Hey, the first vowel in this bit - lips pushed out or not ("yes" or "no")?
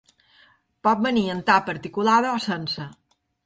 yes